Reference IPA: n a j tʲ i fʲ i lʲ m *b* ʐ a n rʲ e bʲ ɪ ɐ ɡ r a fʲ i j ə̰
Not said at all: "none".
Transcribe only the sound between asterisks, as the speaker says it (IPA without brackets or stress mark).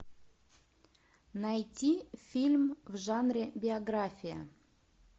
v